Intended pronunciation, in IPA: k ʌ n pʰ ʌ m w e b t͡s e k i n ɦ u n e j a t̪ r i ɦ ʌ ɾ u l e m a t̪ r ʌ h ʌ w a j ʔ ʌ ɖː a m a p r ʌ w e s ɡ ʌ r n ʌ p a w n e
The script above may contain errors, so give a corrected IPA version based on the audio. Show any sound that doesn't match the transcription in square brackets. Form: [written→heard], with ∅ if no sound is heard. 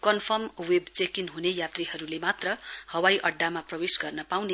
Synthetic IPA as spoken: k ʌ n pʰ ʌ m w e b t͡s e k i n ɦ u n e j a t̪ r i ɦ ʌ ɾ u l e m a t̪ r ʌ h ʌ w a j ʔ ʌ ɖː a m a p r ʌ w e s ɡ ʌ r n ʌ p a w n e